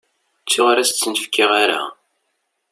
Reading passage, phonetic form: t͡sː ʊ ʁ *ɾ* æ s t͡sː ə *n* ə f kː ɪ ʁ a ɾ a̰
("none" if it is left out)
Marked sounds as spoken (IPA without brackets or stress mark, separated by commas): ɾ, n